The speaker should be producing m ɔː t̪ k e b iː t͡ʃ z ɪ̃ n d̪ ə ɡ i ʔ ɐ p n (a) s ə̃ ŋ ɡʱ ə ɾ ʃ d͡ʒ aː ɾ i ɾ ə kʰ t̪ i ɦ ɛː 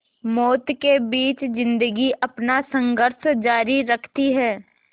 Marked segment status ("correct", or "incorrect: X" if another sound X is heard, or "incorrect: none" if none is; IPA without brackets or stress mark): correct